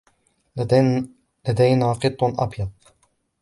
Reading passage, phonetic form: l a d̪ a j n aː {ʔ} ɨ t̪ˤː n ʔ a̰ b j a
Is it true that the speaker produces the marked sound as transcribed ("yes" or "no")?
no